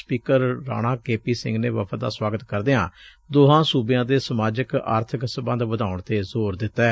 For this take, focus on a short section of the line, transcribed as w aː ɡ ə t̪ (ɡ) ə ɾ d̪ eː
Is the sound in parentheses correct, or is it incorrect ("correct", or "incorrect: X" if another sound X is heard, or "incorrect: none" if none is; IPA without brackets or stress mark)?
incorrect: k